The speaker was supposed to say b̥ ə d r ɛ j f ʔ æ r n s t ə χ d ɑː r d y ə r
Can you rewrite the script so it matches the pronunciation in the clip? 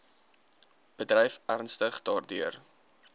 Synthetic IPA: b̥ ə d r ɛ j f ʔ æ r n s t ə χ d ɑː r d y ə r